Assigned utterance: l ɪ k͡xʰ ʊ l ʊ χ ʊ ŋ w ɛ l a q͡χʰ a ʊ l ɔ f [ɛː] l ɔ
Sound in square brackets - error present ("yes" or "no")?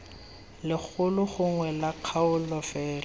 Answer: no